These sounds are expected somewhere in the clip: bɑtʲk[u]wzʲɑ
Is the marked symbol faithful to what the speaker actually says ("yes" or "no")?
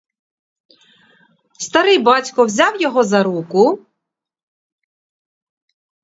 no